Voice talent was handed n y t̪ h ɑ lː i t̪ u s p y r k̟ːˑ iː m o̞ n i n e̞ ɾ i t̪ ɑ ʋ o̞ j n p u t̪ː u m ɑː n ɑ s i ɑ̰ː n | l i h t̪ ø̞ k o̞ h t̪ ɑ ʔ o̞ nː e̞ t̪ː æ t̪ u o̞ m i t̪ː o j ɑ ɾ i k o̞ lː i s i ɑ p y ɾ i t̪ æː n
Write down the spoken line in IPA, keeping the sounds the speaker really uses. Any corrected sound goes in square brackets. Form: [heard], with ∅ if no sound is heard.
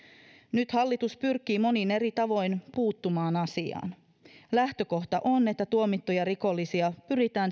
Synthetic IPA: n y t̪ h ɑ lː i t̪ u s p y r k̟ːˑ iː m o̞ n i n e̞ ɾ i t̪ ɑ ʋ o̞ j n p [uː] t̪ː u m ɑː n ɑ s i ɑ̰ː n | l [æ] h t̪ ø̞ k o̞ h t̪ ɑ ʔ o̞ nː e̞ t̪ː æ t̪ u o̞ m i t̪ː o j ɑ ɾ i k o̞ lː i s i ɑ p y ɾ i t̪ æː n